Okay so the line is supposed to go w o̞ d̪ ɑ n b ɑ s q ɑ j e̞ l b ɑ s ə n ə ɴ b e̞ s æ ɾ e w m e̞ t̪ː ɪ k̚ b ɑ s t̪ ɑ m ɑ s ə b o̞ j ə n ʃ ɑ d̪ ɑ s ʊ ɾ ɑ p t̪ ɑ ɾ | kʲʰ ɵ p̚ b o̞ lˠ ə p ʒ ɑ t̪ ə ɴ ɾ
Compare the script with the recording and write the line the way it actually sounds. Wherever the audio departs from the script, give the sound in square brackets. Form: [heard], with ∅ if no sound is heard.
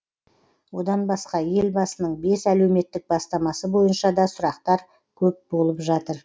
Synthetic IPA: w o̞ d̪ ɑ n b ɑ s q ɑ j e̞ l b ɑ s ə n ə ɴ b e̞ s æ [l] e w m e̞ t̪ː ɪ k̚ b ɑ s t̪ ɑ m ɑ s ə b o̞ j ə n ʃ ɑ d̪ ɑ s ʊ ɾ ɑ [q] t̪ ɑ ɾ | kʲʰ ɵ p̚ b o̞ lˠ ə p ʒ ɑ t̪ ə [∅] ɾ